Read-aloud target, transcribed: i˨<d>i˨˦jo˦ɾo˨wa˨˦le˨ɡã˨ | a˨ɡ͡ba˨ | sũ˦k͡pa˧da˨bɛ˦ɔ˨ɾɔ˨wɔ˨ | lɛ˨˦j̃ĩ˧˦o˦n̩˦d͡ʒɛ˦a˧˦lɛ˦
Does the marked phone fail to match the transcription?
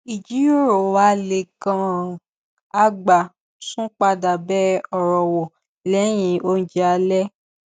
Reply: yes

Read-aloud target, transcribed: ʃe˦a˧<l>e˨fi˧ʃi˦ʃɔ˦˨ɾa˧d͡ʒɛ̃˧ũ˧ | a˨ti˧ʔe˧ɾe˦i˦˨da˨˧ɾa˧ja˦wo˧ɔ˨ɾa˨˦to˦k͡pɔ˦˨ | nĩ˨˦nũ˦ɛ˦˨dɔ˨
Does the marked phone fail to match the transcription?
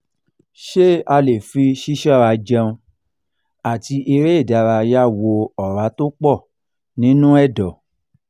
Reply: no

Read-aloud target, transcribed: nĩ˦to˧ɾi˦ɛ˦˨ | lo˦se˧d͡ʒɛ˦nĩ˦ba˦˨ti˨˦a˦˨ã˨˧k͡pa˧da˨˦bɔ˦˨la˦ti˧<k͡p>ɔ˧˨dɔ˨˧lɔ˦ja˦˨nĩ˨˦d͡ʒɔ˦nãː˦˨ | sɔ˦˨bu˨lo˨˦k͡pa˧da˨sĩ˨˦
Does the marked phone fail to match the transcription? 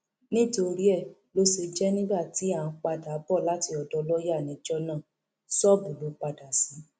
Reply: yes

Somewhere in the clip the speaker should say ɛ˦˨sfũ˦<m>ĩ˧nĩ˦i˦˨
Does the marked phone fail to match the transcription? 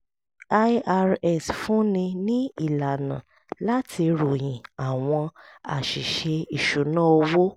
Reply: yes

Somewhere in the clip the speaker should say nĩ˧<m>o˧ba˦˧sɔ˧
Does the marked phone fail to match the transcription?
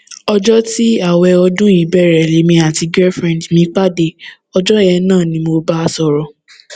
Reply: no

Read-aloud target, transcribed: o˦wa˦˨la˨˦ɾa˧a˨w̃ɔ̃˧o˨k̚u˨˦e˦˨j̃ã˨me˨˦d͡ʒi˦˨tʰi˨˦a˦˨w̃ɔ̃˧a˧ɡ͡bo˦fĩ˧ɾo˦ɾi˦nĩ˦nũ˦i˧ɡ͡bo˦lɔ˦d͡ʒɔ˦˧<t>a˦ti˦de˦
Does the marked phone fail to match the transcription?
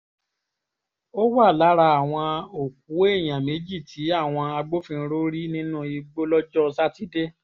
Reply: yes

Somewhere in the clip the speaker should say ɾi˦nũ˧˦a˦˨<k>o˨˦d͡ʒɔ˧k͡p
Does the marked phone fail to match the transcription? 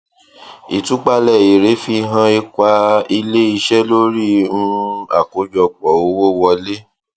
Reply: no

